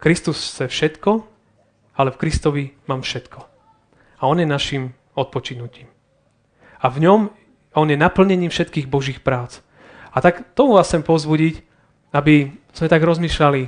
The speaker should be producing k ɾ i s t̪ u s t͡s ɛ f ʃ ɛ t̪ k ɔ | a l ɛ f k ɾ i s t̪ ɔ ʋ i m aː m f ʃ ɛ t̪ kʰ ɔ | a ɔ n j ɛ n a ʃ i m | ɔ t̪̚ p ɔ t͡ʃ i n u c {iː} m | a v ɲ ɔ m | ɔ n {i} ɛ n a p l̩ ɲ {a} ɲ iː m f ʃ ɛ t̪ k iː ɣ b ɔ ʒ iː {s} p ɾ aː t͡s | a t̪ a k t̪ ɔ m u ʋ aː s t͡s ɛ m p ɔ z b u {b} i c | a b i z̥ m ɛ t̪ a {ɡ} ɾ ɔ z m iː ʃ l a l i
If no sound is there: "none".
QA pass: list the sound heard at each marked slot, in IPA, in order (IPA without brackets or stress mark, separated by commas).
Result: iː, j, ɛ, x, ɟ, ɡ